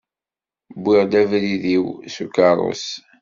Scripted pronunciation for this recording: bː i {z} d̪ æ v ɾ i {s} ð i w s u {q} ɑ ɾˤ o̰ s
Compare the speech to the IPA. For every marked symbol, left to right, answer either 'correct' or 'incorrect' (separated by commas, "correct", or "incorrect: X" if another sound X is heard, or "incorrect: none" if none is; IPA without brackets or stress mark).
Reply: incorrect: ʁ, incorrect: none, incorrect: k